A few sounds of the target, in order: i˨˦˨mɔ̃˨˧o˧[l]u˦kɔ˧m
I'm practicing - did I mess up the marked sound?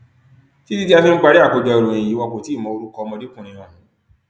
yes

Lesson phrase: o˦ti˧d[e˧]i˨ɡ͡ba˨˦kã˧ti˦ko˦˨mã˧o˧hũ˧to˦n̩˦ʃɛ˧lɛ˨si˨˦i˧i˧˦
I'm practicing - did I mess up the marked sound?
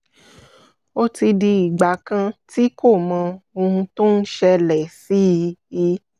yes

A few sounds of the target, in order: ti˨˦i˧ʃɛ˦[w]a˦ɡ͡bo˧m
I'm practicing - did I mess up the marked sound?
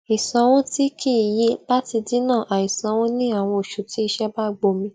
yes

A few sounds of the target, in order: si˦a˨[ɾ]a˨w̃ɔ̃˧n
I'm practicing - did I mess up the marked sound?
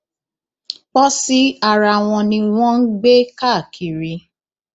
no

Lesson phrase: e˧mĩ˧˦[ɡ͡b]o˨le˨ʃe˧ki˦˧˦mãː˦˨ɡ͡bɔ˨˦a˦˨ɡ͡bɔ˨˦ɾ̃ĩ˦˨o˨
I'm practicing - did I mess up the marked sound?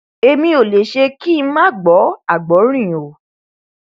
yes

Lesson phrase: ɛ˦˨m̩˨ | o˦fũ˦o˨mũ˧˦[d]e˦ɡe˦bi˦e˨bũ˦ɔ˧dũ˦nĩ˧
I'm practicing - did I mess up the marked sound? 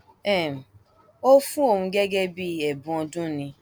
yes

